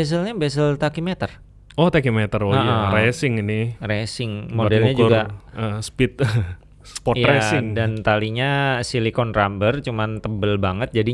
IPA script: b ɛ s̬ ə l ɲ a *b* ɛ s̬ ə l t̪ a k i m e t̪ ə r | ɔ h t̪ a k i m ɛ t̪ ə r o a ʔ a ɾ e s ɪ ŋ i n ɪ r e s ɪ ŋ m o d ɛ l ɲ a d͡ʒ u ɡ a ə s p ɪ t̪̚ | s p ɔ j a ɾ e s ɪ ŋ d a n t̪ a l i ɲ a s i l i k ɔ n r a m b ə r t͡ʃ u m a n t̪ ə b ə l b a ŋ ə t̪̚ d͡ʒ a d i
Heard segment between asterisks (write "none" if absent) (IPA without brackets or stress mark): b